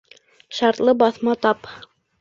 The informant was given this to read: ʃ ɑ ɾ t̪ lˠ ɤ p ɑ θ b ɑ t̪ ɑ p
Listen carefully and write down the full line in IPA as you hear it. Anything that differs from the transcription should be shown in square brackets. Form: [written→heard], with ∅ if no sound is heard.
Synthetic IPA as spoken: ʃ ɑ ɾ t̪ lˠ ɤ [p→b] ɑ θ [b→m] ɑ t̪ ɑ p